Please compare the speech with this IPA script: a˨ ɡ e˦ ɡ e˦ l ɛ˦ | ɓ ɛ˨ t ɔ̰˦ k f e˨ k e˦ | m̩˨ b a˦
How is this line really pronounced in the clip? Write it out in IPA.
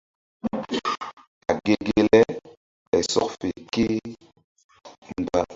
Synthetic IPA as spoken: a˨ ɡ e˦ ɡ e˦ l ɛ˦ | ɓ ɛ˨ s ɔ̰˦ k f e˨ k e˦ | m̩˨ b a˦